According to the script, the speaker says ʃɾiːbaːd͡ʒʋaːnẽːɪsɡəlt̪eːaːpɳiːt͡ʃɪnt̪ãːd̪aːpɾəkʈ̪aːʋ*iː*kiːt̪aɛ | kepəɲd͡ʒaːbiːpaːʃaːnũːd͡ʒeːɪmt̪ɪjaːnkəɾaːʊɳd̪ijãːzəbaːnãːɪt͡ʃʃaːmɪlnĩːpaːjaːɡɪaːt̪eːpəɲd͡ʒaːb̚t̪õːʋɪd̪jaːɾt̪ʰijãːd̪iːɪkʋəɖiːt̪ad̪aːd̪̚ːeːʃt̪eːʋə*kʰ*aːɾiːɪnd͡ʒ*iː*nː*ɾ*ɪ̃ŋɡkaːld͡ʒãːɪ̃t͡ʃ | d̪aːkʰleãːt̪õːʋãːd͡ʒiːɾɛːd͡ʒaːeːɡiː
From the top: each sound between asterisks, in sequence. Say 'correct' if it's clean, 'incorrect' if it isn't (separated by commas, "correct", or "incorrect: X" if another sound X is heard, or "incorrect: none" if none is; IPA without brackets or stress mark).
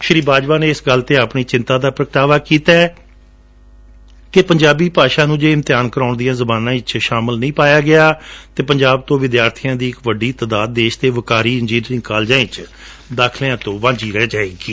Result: incorrect: aː, incorrect: k, correct, correct